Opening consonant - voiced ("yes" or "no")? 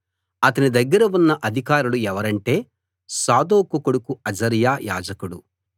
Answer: no